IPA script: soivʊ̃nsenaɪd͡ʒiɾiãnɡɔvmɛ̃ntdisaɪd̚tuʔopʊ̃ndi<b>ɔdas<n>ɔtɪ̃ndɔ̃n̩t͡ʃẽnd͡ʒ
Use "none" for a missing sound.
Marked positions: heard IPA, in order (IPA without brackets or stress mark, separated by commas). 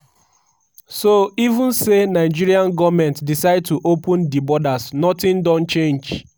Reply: b, n